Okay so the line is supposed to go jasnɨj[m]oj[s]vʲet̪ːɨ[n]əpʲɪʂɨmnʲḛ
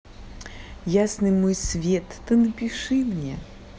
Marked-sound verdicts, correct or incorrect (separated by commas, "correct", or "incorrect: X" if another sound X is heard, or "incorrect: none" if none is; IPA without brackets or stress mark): correct, correct, correct